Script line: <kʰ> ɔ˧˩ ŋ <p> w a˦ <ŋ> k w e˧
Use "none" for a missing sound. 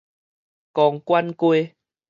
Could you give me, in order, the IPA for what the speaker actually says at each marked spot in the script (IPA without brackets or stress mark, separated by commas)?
k, k, n